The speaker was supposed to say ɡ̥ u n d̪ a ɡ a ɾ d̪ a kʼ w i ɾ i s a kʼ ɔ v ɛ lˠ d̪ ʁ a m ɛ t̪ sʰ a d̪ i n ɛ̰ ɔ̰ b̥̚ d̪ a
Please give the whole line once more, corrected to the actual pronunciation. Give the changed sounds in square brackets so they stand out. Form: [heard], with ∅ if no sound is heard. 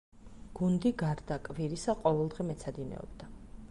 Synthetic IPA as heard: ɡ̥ u n d̪ [i] ɡ a ɾ d̪ a kʼ [v] i ɾ i s a [qʼ] ɔ v ɛ lˠ d̪ ʁ [ɛ] m ɛ t̪ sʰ a d̪ i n ɛ̰ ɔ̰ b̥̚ d̪ a